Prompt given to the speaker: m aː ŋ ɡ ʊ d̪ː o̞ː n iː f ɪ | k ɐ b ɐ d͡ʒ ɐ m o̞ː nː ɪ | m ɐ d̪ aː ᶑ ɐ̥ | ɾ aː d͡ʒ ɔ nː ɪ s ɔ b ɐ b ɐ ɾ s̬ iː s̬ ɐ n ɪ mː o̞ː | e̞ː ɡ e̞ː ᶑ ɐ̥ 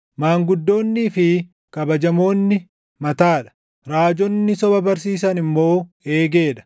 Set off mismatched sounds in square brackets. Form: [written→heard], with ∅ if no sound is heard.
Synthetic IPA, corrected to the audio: m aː ŋ ɡ ʊ d̪ː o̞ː [n→nː] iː f ɪ | k ɐ b ɐ d͡ʒ ɐ m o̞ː nː ɪ | m ɐ [d̪→t̪] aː ᶑ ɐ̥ | ɾ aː d͡ʒ ɔ nː ɪ s ɔ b ɐ b ɐ ɾ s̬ iː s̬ ɐ n ɪ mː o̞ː | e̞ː ɡ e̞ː ᶑ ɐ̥